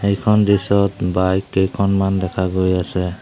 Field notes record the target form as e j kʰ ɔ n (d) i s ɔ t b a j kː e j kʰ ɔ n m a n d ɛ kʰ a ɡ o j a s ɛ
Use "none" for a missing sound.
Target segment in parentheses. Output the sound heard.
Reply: d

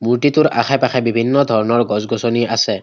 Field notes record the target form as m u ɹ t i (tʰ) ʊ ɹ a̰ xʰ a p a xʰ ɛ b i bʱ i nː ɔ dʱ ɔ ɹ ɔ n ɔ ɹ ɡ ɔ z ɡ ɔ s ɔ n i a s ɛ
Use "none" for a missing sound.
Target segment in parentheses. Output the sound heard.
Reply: t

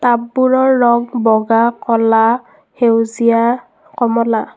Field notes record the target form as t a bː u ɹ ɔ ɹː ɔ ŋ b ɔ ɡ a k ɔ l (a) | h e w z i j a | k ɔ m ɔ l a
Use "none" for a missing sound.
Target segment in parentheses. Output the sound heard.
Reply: a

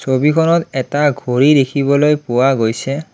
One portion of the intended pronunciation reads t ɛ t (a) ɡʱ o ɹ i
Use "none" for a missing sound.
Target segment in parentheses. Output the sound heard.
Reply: a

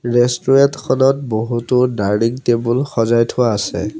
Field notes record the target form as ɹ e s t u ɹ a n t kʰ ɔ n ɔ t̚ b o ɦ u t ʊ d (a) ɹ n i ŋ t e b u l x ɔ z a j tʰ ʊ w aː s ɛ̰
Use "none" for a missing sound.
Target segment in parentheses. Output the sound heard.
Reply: a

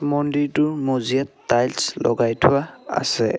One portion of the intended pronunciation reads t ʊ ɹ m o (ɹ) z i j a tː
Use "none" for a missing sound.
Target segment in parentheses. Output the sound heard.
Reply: none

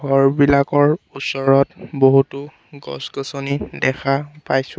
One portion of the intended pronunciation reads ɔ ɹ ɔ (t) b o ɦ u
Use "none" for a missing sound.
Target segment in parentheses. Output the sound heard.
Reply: t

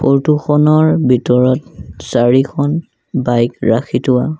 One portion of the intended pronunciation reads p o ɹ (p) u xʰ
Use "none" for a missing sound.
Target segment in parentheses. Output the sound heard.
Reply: t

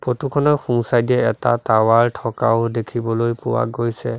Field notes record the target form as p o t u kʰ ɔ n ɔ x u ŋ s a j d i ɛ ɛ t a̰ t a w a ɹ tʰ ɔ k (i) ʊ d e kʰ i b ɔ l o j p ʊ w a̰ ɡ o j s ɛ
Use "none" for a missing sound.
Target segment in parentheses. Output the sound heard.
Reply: a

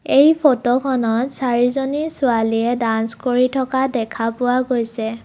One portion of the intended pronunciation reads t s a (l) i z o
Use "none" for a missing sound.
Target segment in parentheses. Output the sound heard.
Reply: ɹ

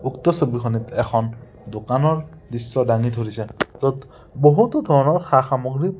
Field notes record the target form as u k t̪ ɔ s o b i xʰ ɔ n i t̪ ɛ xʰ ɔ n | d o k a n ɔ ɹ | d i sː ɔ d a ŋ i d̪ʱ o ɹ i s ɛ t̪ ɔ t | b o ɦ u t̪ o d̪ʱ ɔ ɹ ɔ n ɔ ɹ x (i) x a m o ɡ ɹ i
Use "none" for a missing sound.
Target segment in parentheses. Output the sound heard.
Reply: a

